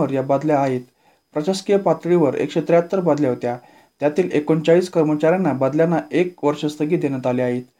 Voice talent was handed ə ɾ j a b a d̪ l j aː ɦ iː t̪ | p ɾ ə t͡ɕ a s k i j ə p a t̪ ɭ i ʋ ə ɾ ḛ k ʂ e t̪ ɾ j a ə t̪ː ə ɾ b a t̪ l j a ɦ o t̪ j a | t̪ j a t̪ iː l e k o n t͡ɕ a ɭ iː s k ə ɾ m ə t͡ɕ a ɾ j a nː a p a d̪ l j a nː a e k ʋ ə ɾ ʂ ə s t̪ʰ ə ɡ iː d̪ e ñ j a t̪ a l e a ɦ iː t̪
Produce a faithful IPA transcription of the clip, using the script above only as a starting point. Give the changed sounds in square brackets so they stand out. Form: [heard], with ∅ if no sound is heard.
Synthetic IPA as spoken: ə ɾ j a b a d̪ l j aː ɦ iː t̪ | p ɾ ə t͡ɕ a s k i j ə p a t̪ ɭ i ʋ ə ɾ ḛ k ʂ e t̪ ɾ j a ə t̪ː ə ɾ b a [d̪] l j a ɦ o t̪ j a | t̪ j a t̪ iː l e k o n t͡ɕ a ɭ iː s k ə ɾ m ə t͡ɕ a ɾ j a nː a [b] a d̪ l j a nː a e k ʋ ə ɾ ʂ ə s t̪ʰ ə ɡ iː d̪ e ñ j a t̪ a l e a ɦ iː t̪